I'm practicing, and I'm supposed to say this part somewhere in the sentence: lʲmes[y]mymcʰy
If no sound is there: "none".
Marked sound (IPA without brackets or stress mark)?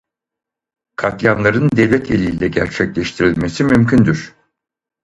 i